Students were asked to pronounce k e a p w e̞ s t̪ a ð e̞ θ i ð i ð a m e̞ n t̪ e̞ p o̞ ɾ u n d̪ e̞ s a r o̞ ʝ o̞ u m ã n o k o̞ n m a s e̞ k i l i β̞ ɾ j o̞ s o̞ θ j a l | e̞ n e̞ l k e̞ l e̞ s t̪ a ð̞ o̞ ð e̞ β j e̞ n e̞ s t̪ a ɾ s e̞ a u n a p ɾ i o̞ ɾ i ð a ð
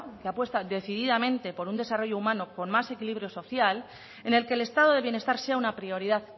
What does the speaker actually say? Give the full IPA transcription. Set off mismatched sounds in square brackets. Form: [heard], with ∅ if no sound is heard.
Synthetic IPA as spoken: k e a p w e̞ s t̪ a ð e̞ θ i ð i ð a m [ẽ̞] n t̪ e̞ p o̞ ɾ u n d̪ e̞ s a r o̞ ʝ o̞ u m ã n o k o̞ n m a s e̞ k i l i β̞ ɾ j o̞ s o̞ θ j a l | e̞ n e̞ l k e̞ l e̞ s t̪ a ð̞ o̞ ð e̞ β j e̞ n e̞ s t̪ a ɾ s e̞ a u n a p ɾ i o̞ ɾ i ð a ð